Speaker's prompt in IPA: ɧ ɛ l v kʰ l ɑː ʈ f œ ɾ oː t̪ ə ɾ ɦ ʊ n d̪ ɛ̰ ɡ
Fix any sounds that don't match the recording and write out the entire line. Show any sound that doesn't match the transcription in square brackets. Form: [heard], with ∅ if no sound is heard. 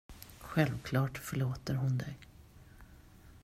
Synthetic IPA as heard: ɧ ɛ l v kʰ l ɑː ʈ f œ [ɭ] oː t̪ ə ɾ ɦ ʊ n d̪ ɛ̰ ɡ